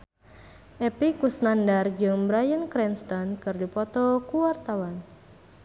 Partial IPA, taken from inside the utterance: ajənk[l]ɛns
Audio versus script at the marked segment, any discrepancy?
yes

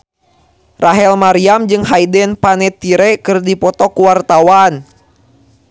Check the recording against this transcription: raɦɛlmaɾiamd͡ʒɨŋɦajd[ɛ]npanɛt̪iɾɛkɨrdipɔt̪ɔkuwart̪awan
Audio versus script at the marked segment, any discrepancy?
no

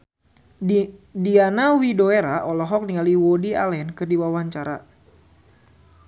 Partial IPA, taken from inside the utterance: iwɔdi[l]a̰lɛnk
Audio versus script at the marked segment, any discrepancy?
yes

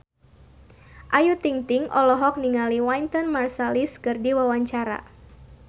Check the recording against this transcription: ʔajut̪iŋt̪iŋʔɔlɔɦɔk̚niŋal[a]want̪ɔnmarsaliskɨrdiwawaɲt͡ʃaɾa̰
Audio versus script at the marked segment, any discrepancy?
yes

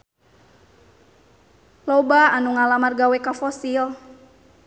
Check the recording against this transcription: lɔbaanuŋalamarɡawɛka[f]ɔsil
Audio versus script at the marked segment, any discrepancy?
no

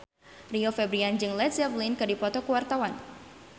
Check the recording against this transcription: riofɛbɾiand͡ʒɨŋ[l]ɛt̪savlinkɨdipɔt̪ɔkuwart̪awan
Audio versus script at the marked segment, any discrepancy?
no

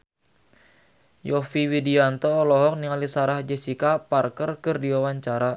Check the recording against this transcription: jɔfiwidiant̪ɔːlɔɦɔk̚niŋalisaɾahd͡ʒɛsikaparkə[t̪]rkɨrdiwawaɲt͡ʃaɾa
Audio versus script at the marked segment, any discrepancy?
yes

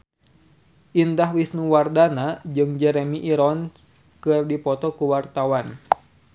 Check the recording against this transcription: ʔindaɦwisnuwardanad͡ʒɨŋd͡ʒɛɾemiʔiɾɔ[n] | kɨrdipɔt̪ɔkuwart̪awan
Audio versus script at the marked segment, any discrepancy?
no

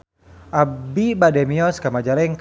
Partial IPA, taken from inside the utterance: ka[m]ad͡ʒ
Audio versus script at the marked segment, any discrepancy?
no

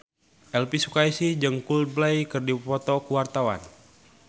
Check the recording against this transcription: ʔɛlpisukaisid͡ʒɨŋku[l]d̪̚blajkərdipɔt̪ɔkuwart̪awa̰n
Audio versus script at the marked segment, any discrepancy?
no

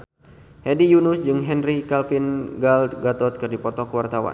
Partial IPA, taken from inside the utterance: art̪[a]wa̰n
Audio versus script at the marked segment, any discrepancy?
no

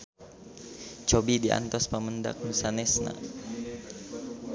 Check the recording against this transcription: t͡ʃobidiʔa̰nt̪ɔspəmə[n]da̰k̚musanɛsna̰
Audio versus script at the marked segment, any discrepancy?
no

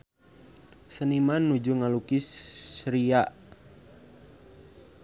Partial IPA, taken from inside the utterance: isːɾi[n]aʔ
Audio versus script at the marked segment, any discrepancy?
yes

